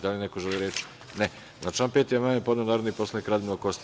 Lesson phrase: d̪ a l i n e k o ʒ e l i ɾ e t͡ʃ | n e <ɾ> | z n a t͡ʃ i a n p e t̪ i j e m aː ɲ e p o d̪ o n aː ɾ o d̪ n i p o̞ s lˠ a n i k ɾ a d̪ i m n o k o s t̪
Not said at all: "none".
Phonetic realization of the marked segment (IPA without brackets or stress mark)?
none